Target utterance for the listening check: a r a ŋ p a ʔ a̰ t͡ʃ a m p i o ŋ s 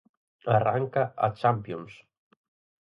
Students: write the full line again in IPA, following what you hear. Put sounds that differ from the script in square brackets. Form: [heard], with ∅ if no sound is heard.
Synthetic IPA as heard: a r a ŋ [k] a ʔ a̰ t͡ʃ a m p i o [n] s